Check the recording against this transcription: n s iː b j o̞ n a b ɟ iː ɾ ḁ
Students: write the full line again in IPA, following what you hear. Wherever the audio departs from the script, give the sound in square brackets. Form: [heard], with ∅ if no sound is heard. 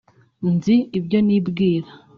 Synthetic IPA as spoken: n [z] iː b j o̞ n [i] b [ɡ] iː ɾ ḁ